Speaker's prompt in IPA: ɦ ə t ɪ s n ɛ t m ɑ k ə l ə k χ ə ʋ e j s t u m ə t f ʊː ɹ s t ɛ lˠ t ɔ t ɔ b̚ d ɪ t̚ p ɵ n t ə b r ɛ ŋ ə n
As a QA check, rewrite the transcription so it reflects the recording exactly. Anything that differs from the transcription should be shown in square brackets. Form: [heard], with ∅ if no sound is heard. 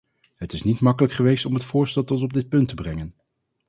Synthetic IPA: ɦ ə t ɪ s n [i] t m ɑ k ə l ə k χ ə ʋ e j s t [ɔ] m ə t f ʊː ɹ s t ɛ lˠ t ɔ t ɔ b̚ d ɪ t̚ p ɵ n t ə b r ɛ ŋ ə n